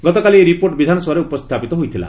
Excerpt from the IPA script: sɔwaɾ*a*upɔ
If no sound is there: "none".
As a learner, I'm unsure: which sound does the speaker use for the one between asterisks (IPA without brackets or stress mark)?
e